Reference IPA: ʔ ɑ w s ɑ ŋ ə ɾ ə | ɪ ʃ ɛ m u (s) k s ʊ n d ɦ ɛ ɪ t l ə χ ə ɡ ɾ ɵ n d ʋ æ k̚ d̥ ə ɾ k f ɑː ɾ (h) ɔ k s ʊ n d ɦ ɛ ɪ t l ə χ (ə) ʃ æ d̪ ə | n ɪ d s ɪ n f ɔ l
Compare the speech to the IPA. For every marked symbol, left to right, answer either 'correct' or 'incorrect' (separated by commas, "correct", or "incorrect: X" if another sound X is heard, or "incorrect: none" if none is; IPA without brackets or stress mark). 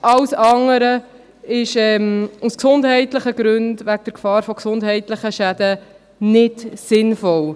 correct, incorrect: f, correct